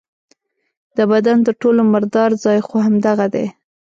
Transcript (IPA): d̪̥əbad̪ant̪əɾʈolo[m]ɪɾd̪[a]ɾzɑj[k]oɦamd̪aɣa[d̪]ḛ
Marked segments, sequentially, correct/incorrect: correct, incorrect, incorrect, correct

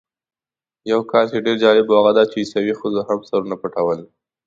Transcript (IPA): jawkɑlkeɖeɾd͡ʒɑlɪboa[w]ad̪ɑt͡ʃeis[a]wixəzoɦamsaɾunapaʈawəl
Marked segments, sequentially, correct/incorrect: incorrect, correct

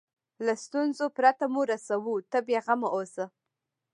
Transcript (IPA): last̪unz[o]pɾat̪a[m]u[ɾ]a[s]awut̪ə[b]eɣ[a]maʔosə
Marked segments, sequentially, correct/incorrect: correct, correct, correct, correct, correct, correct

